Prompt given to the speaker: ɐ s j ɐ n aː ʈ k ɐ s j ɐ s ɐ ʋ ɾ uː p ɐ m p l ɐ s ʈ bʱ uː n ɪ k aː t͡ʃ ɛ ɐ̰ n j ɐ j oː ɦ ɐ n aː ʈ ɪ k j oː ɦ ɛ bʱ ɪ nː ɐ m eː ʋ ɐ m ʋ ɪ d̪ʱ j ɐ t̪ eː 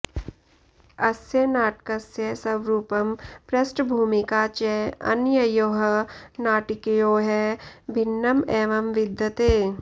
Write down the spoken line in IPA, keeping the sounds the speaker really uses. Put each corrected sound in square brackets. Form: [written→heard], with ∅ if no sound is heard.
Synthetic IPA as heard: ɐ s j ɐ n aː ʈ k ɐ s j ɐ s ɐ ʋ ɾ uː p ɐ m p [l→ɾ] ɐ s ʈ bʱ uː [n→m] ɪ k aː t͡ʃ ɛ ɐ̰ n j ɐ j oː ɦ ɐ n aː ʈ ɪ k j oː ɦ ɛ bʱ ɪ nː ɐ m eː ʋ ɐ m ʋ ɪ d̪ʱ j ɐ t̪ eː